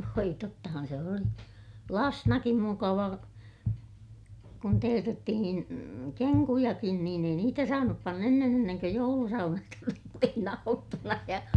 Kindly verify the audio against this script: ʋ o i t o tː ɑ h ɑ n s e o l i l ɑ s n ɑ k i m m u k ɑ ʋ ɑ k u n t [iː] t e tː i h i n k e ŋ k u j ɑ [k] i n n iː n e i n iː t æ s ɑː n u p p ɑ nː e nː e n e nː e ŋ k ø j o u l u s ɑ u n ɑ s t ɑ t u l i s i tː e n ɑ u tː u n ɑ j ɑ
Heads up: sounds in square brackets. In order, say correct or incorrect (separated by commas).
incorrect, correct